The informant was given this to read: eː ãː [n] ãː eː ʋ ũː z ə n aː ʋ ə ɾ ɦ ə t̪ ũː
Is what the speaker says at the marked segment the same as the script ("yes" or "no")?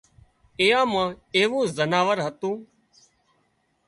no